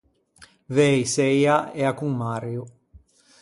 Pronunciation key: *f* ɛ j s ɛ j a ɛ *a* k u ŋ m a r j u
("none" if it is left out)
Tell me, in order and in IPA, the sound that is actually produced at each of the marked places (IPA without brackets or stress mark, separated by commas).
v, a